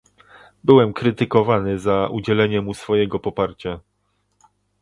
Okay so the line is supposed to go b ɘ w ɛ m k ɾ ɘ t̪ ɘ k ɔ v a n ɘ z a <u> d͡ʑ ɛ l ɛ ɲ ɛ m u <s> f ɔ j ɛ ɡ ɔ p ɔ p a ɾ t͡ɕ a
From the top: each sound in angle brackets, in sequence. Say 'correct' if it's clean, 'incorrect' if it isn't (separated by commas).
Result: correct, correct